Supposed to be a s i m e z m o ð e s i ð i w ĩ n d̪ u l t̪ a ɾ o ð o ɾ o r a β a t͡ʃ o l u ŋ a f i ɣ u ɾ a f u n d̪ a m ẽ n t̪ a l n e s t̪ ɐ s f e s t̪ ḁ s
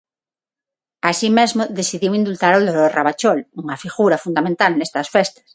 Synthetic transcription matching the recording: a s i m e z m o ð e s i ð i w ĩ n d̪ u l t̪ a ɾ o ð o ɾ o r a β a t͡ʃ o l u ŋ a f i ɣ u ɾ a f u n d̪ a m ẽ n t̪ a l n e s t̪ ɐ s f e s t̪ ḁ s